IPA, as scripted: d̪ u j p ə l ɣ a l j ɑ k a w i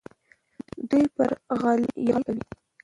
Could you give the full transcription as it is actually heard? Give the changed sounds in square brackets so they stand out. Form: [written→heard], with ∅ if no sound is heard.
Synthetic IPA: d̪ u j p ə [l→ɾ] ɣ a l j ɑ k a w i